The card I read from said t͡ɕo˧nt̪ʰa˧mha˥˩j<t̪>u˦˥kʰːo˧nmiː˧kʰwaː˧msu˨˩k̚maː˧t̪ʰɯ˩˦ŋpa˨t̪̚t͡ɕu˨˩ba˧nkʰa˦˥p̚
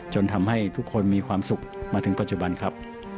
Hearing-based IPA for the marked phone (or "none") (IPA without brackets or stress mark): t̪ʰ